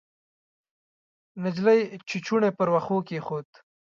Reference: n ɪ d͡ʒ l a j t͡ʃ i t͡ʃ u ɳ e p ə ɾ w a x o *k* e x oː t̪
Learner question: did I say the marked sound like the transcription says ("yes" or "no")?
yes